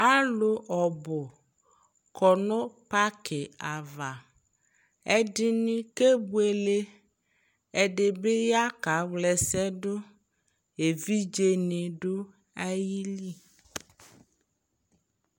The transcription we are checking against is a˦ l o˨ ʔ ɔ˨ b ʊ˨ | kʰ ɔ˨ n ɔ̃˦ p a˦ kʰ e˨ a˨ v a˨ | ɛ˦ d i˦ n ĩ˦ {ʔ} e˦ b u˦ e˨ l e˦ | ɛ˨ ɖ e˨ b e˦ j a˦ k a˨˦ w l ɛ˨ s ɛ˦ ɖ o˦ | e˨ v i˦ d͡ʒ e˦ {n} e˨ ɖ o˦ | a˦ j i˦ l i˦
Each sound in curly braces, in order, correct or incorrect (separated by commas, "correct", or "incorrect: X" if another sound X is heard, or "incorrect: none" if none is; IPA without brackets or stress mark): incorrect: k, correct